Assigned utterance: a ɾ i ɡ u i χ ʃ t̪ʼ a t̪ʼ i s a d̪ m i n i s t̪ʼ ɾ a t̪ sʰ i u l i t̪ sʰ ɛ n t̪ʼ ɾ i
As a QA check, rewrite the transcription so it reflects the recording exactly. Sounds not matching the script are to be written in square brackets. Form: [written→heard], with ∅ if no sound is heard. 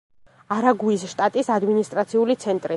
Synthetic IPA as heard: a ɾ [i→a] ɡ u i [χ→s] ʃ t̪ʼ a t̪ʼ i s a d̪ m i n i s t̪ʼ ɾ a t̪ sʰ i u l i t̪ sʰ ɛ n t̪ʼ ɾ i